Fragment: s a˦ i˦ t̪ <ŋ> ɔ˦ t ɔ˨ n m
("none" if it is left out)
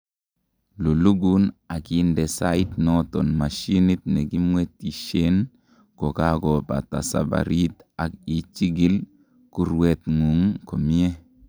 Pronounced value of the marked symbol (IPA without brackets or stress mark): n